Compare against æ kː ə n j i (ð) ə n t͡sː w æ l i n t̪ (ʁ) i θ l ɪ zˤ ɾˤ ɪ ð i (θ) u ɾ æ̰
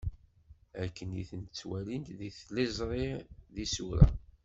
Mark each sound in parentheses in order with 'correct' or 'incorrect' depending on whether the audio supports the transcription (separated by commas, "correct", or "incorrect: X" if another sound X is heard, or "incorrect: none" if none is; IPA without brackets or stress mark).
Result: incorrect: θ, incorrect: ð, incorrect: s